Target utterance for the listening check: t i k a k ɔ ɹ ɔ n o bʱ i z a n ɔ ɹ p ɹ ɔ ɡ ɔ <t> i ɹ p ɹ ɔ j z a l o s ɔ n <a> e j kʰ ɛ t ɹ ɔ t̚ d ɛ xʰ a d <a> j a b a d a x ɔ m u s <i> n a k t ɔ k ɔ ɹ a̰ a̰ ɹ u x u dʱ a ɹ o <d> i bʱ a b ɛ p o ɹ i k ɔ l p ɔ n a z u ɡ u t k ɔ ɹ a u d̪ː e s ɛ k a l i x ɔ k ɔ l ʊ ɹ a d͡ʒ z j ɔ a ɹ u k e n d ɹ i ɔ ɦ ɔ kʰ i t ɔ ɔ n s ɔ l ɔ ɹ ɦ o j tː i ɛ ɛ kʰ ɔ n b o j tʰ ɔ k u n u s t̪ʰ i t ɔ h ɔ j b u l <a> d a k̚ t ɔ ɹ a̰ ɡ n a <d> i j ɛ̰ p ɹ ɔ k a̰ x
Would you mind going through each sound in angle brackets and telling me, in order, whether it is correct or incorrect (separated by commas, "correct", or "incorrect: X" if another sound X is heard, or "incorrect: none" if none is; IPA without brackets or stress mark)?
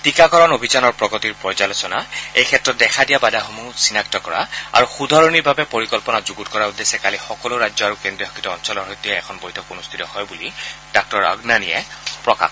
correct, correct, incorrect: i, correct, incorrect: n, incorrect: i, incorrect: n